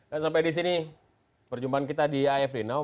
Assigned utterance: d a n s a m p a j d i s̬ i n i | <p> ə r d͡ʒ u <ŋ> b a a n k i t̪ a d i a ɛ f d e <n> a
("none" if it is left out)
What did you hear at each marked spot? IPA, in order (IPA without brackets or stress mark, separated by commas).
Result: p, m, n